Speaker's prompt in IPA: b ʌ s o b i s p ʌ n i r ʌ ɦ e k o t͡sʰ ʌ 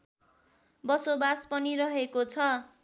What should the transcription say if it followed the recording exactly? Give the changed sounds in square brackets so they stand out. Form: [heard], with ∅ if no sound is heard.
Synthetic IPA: b ʌ s o b [a] s p ʌ n i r ʌ ɦ e k o t͡sʰ ʌ